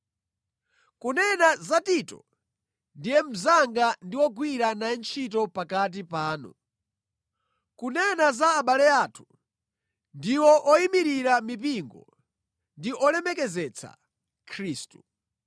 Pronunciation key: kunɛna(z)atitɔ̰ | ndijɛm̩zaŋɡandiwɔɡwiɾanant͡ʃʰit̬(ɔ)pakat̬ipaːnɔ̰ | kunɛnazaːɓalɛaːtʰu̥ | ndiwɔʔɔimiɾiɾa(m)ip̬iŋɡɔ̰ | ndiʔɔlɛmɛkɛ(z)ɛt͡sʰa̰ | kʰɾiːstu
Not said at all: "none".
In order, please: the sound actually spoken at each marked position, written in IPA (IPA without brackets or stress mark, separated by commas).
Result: z, ɔ, m, z